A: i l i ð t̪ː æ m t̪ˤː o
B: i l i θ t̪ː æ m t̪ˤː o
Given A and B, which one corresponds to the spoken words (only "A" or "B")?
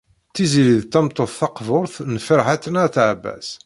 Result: A